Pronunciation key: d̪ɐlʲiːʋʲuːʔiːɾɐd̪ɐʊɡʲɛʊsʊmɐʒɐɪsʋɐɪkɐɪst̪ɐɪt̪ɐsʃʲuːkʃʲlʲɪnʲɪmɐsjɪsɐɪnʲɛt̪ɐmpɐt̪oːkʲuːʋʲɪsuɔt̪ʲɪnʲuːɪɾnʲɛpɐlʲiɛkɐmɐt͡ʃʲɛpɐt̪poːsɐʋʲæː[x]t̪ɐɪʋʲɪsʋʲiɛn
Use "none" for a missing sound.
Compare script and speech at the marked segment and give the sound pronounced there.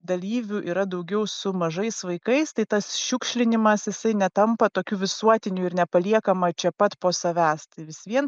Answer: s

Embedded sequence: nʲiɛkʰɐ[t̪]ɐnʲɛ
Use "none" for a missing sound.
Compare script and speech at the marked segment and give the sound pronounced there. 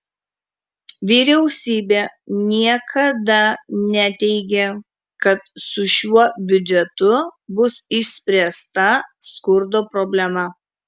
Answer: d̪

